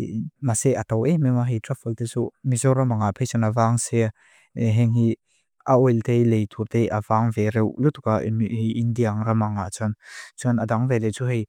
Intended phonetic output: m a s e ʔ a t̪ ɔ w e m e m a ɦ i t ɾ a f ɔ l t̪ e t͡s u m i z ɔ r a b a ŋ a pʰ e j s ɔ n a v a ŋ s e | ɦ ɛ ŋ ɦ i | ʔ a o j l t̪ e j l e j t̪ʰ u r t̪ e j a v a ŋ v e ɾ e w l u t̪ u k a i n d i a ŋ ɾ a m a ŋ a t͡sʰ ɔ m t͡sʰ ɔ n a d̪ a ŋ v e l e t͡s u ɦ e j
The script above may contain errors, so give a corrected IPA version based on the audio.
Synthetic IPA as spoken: m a s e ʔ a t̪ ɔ w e m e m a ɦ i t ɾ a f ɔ l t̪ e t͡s u m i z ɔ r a m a ŋ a pʰ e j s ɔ n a v a ŋ s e | ɦ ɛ ŋ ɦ i | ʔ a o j l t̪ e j l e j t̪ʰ u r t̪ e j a v a ŋ v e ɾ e w l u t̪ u k a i n d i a ŋ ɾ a m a ŋ a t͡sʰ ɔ n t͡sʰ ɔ n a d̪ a ŋ v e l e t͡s u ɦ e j